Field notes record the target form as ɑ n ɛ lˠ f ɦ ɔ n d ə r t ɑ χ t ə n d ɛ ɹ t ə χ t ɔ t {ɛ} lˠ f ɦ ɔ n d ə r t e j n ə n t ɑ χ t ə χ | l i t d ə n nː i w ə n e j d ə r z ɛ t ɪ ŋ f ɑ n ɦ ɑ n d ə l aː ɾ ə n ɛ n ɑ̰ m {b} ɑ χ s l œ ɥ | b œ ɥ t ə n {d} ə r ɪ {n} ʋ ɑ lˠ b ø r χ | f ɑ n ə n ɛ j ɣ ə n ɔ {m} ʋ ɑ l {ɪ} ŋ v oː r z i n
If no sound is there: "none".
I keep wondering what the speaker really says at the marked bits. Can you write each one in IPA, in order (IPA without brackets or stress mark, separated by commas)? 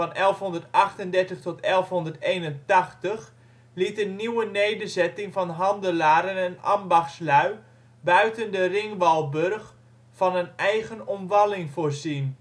ɛ, b, d, ŋ, m, ɪ